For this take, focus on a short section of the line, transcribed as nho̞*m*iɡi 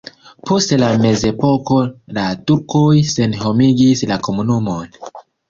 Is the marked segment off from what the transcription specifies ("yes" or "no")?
no